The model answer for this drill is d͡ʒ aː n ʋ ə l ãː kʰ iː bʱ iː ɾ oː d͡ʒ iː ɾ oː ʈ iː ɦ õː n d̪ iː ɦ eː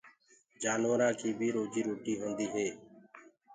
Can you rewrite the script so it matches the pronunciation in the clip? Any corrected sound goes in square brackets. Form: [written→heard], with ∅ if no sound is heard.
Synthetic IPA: d͡ʒ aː n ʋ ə [l→ɾ] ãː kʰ iː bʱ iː ɾ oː d͡ʒ iː ɾ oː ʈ iː ɦ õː n d̪ iː ɦ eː